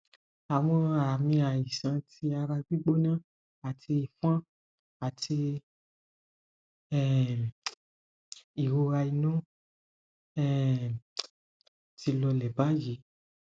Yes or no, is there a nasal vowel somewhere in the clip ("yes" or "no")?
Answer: yes